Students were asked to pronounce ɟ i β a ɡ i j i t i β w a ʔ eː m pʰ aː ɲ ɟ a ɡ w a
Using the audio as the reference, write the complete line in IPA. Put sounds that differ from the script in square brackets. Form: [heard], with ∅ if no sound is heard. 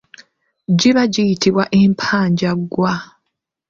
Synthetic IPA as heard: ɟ i β a [ɟ] i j i t i β w a ʔ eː m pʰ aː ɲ ɟ a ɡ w a